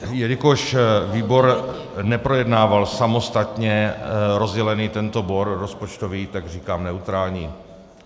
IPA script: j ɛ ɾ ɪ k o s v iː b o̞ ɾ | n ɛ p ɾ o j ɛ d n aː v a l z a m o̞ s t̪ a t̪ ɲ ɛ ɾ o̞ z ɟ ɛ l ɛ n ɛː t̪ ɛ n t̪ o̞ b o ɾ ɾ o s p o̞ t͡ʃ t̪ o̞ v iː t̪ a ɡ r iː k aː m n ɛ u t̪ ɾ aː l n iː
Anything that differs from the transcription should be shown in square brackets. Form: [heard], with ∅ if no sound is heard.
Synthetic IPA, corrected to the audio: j ɛ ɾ ɪ k o [ʃ] v iː b o̞ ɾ | n ɛ p ɾ o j ɛ d n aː v a l [s] a m o̞ s t̪ a t̪ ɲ ɛ ɾ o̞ z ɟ ɛ l ɛ n [iː] t̪ ɛ n t̪ o̞ b o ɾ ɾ o s p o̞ t͡ʃ t̪ o̞ v iː t̪ a ɡ r iː k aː m n ɛ u t̪ ɾ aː l [ɲ] iː